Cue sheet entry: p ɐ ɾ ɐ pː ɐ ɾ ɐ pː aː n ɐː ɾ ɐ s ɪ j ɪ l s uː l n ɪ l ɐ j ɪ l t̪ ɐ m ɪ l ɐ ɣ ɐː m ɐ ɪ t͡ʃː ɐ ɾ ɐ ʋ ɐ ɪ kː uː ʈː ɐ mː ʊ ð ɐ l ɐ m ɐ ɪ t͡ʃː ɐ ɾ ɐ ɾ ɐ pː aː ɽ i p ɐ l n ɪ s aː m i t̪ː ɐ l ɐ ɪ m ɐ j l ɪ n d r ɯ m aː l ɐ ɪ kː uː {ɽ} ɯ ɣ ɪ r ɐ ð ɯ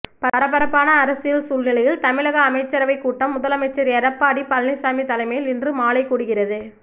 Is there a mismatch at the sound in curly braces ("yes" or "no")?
no